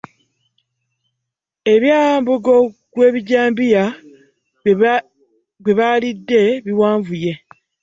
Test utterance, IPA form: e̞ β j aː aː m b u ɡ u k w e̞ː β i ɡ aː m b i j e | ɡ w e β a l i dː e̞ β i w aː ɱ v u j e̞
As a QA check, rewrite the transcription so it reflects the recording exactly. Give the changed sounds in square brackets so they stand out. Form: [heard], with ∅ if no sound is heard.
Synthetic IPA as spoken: e̞ β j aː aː m b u ɡ [o] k w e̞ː β i [ɟ] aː m b i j [a] | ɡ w e β a l i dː e̞ β i w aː ɱ v u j e̞